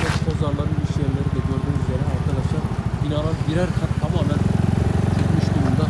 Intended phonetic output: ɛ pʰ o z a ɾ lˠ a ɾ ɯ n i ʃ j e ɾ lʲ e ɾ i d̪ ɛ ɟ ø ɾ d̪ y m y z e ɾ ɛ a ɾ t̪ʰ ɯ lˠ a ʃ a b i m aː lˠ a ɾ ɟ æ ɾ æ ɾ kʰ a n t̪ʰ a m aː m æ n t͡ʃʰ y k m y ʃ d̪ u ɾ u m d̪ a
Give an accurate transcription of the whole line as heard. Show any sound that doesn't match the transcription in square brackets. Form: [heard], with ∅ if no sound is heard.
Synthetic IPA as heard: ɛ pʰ o z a ɾ lˠ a ɾ ɯ n i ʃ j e ɾ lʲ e ɾ i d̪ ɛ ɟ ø ɾ d̪ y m y z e ɾ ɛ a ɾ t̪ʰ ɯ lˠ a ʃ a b i [n] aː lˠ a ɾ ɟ [i] ɾ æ ɾ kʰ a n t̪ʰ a m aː m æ n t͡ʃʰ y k m y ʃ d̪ u ɾ u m d̪ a